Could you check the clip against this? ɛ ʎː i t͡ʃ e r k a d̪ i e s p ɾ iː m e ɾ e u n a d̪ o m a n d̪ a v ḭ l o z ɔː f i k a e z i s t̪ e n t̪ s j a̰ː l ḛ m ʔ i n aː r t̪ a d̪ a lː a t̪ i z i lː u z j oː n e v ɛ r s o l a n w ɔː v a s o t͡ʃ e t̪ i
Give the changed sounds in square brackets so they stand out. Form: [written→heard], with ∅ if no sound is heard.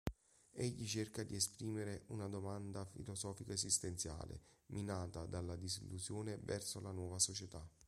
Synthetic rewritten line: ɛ ʎː i t͡ʃ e r k a d̪ i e s p ɾ iː m e ɾ e u n a d̪ o m a n d̪ a [v→f] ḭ l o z ɔː f i k a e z i s t̪ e n t̪ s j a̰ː l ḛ m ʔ i n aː [r→∅] t̪ a d̪ a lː a [t̪→d̪] i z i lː u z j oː n e v ɛ r s o l a n w ɔː v a s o t͡ʃ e t̪ [i→a]